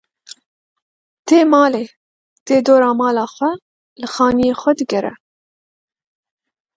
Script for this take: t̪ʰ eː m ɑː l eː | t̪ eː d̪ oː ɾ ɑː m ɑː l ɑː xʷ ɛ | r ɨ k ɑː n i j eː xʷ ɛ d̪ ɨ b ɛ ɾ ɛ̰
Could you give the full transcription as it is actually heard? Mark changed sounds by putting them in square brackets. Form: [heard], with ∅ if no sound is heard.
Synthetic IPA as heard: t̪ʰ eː m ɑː l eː | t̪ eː d̪ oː ɾ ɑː m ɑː l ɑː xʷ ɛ | [l] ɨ [x] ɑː n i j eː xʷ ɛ d̪ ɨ [ɡ] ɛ ɾ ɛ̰